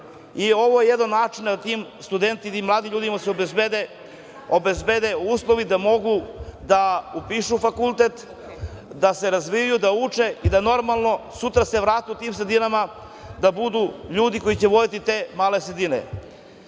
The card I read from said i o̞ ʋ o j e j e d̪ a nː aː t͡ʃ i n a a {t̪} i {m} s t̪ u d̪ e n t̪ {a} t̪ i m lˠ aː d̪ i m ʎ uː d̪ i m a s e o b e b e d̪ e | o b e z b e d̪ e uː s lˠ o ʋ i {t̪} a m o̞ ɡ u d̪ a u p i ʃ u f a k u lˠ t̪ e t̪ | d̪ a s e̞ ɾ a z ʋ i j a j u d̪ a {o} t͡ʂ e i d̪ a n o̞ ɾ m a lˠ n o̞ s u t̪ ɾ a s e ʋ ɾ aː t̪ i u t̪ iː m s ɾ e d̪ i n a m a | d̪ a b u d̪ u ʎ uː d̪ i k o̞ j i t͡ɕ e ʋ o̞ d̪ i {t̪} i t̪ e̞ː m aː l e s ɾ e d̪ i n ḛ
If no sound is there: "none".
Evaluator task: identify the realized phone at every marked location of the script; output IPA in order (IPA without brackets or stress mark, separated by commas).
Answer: t̪, m, i, d̪, u, t̪